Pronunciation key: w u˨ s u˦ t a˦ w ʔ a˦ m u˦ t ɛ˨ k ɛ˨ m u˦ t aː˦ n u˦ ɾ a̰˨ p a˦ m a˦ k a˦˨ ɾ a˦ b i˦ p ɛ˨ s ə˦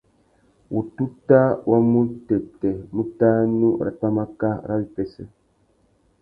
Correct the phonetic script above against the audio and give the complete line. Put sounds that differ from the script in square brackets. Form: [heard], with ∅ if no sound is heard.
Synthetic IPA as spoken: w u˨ [t] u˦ t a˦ w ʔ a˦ m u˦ t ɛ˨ [t] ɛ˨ m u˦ t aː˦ n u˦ ɾ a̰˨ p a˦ m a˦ k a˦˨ ɾ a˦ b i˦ p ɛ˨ s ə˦